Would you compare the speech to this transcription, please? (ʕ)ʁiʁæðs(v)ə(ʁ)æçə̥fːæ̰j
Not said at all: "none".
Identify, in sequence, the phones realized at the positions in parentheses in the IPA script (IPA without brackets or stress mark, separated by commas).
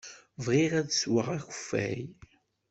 v, w, ʁ